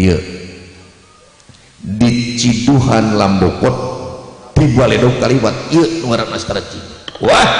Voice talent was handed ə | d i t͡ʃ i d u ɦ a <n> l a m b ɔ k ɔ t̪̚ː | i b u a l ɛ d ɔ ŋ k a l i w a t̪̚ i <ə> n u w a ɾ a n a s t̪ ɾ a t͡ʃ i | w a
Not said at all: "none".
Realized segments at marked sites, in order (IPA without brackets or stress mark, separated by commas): n, ə